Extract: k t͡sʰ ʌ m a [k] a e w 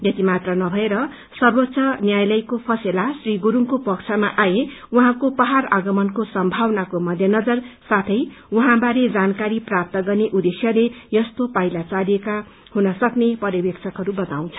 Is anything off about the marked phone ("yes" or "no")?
yes